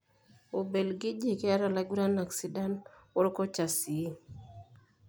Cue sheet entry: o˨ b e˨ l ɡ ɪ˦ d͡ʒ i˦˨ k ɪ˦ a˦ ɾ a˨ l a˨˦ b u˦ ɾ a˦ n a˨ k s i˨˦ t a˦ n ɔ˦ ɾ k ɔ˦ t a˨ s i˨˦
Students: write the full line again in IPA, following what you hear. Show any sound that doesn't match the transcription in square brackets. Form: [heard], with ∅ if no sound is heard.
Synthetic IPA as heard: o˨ b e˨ l ɡ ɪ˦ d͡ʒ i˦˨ k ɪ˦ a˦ ɾ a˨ l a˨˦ [ɡ] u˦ ɾ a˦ n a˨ k s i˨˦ [d] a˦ n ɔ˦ ɾ k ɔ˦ [t͡ʃ] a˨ s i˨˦